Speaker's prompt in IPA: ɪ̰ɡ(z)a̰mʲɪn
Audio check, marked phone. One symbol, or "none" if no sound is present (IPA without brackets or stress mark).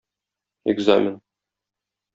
z